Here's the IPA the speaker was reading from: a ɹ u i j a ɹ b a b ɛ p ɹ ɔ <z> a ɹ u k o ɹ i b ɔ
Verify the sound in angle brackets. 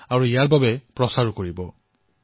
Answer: incorrect: s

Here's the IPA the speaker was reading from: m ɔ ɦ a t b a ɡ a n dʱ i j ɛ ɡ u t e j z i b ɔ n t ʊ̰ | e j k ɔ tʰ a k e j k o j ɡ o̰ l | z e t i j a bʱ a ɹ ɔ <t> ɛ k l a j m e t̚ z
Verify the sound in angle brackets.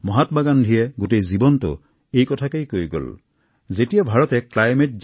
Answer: correct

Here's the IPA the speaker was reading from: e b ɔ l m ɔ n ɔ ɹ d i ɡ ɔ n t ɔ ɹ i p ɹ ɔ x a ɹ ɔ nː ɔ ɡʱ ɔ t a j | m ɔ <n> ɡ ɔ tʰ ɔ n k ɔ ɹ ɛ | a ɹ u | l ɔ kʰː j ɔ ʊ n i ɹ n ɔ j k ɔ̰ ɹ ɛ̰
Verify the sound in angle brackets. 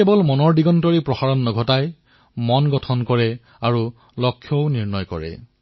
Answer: correct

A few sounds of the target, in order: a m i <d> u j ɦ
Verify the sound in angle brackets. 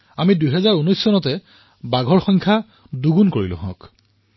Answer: correct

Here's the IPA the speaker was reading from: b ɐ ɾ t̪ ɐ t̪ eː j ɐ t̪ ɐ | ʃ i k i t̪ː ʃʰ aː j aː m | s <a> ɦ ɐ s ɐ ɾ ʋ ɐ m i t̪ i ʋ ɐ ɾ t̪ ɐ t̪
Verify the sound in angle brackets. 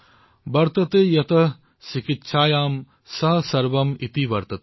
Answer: incorrect: ɐ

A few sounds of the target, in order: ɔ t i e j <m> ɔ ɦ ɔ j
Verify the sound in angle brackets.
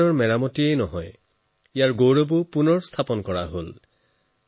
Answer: incorrect: n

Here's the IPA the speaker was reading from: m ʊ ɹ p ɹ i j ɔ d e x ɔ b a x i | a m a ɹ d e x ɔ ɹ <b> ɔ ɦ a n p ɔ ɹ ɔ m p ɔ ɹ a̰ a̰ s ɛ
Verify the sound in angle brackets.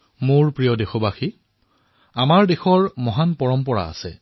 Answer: incorrect: m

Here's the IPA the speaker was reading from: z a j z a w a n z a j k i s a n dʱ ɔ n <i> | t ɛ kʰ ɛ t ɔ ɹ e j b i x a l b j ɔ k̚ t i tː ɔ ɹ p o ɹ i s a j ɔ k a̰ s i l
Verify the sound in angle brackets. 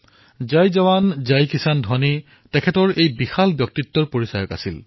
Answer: correct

